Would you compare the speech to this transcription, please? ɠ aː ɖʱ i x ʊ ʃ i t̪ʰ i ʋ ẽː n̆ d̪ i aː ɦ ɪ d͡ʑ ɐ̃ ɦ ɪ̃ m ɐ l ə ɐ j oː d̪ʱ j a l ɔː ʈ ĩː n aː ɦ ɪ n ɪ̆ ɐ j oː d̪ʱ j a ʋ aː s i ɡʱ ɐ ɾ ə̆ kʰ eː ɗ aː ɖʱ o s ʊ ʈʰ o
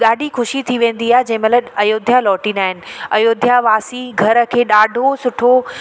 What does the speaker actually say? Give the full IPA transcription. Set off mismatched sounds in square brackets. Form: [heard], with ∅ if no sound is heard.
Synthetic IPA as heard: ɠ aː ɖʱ i x ʊ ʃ i t̪ʰ i ʋ ẽː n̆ d̪ i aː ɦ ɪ d͡ʑ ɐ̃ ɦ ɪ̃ m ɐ l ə ɐ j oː d̪ʱ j a l ɔː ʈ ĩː n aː ɦ ɪ n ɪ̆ ɐ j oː d̪ʱ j a ʋ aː s i ɡʱ ɐ ɾ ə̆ kʰ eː ɗ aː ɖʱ o s ʊ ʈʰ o